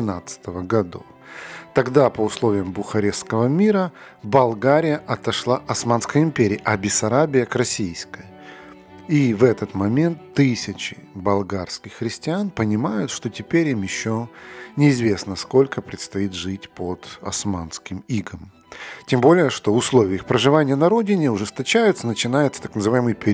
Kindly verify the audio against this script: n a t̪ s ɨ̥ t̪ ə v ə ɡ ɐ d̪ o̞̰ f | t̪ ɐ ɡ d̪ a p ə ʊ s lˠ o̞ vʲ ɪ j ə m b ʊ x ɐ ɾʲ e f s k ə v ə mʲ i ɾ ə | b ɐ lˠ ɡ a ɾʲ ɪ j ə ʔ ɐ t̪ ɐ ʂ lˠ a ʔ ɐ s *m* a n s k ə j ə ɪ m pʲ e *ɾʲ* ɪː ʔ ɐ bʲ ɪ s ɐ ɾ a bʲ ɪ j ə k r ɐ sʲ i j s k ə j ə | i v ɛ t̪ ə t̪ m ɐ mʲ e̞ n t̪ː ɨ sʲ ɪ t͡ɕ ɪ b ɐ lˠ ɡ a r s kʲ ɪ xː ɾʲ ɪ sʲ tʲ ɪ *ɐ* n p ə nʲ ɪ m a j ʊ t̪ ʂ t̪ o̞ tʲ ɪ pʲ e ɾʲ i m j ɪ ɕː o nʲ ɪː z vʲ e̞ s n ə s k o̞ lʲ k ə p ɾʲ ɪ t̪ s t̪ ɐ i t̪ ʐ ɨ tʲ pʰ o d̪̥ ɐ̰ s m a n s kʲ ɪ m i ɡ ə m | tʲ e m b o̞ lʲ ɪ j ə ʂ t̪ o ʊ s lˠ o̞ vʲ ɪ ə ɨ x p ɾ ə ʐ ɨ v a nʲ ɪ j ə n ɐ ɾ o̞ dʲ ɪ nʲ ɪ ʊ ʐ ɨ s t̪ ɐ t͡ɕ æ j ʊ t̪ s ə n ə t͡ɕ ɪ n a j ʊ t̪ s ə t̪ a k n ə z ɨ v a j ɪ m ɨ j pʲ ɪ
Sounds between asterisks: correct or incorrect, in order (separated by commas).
correct, correct, incorrect